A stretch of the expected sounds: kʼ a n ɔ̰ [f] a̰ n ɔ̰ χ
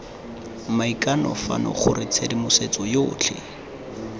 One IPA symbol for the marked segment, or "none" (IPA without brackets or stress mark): f